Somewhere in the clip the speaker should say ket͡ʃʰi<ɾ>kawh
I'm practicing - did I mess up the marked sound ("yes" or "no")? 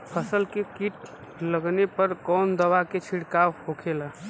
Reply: yes